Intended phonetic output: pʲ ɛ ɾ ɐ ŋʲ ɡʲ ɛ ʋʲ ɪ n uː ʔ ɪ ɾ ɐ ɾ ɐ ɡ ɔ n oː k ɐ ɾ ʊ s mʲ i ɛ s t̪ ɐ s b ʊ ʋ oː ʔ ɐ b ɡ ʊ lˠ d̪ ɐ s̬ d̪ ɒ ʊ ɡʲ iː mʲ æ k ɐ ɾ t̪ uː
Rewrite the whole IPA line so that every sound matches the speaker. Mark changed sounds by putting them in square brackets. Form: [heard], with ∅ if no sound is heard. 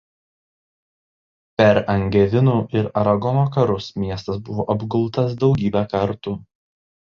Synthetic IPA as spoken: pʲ ɛ ɾ ɐ ŋʲ ɡʲ ɛ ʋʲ ɪ n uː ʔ ɪ ɾ ɐ ɾ ɐ ɡ ɔ n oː k ɐ ɾ ʊ s mʲ i ɛ s t̪ ɐ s b ʊ ʋ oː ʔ ɐ b ɡ ʊ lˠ [t̪] ɐ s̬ d̪ ɒ ʊ ɡʲ iː [bʲ] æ k ɐ ɾ t̪ uː